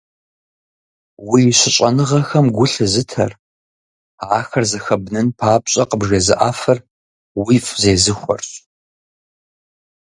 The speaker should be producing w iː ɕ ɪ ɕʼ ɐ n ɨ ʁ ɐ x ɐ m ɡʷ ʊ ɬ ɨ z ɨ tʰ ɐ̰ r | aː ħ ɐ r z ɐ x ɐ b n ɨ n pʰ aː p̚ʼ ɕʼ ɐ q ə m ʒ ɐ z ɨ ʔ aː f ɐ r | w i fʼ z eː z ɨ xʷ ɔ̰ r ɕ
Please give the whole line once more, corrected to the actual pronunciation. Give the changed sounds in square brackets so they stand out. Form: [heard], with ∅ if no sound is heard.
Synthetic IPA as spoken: w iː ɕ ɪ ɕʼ ɐ n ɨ ʁ ɐ x ɐ m ɡʷ ʊ ɬ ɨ z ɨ tʰ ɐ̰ r | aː [x] ɐ r z ɐ x ɐ b n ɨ n pʰ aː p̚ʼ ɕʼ ɐ q ə [b] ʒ ɐ z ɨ ʔ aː f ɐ r | w i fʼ z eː z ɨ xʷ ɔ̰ r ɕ